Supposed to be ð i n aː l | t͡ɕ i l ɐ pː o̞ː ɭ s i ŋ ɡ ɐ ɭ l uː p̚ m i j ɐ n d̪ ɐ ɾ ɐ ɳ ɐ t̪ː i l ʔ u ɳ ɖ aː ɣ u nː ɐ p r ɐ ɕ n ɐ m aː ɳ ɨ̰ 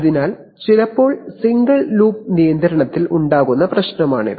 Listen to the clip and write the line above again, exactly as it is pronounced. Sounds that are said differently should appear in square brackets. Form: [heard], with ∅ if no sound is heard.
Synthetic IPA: ð i n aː l | t͡ɕ i l ɐ pː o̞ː ɭ s i ŋ ɡ ɐ ɭ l uː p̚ [n] i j ɐ n d̪ ɐ ɾ ɐ ɳ ɐ t̪ː i l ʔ u ɳ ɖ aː ɣ u nː ɐ p r ɐ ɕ n ɐ m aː ɳ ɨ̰